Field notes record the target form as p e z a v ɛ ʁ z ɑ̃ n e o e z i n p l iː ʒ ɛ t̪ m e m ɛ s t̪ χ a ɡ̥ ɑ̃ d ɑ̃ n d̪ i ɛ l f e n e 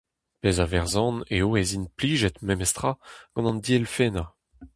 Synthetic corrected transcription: p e z a v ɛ ʁ z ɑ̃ n e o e z i n p l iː ʒ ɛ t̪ m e m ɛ s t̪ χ a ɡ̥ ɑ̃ n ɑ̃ n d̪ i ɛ l f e n a